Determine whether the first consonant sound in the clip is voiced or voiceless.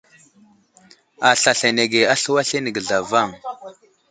voiceless